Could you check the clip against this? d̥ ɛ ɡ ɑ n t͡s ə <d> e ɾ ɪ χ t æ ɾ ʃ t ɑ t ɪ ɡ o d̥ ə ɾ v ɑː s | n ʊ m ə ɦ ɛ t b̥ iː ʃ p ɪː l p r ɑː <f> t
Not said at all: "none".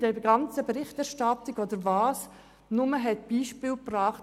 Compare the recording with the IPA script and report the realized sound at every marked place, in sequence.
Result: b, χ

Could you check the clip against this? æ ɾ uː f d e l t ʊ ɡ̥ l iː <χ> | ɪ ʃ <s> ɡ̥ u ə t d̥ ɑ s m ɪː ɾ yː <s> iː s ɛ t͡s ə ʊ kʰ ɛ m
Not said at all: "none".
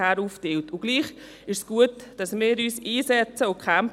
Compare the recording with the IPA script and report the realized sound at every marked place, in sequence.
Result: χ, s, s

